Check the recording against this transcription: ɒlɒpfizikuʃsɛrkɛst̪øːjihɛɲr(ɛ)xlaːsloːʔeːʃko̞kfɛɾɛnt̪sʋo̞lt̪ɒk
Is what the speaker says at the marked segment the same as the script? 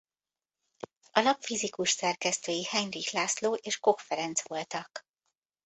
no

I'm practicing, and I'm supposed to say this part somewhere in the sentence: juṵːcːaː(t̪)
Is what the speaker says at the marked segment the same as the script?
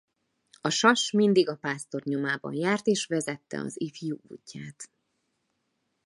yes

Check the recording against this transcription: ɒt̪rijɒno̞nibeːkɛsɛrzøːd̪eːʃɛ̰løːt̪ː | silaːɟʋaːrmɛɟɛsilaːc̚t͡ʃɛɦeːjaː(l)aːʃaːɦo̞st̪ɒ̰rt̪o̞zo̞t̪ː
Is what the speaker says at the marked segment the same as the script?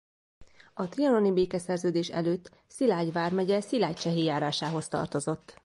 no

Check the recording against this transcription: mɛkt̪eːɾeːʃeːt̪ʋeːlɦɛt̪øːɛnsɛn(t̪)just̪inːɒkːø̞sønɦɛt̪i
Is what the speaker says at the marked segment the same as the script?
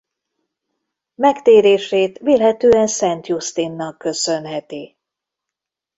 yes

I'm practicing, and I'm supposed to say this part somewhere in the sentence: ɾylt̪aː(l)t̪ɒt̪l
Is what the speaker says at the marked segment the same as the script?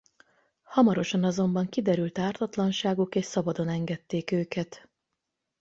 no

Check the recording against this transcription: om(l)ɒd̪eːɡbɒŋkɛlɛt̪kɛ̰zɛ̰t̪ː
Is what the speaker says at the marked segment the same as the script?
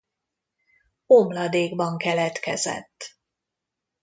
yes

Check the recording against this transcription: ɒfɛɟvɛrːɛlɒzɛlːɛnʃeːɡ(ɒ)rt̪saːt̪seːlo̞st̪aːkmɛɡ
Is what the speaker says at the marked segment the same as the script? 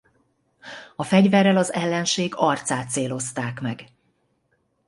yes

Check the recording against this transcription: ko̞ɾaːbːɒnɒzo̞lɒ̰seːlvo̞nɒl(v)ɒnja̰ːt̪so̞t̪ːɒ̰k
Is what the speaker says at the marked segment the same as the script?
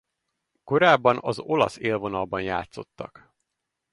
no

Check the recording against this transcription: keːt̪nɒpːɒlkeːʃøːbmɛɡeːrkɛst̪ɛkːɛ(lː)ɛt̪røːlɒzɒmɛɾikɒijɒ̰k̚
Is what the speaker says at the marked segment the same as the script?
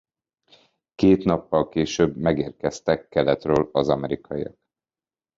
no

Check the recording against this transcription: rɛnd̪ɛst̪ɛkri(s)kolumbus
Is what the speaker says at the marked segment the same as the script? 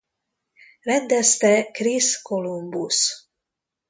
yes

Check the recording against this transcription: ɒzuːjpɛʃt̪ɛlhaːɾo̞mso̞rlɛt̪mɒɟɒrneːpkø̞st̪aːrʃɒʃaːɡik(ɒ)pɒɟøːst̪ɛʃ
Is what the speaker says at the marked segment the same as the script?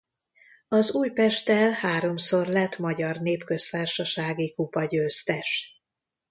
no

